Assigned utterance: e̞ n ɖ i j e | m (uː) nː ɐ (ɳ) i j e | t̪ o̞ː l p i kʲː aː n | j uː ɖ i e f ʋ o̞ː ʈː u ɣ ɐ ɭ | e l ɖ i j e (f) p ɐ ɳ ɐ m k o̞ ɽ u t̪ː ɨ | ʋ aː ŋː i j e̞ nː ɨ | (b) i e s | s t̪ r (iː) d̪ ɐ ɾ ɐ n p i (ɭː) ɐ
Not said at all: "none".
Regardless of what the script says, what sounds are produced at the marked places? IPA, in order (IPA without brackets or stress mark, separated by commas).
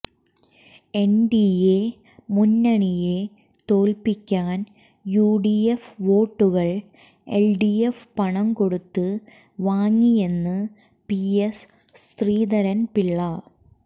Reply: u, ɳ, f, p, iː, ɭː